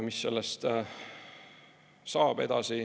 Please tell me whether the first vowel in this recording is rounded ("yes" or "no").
no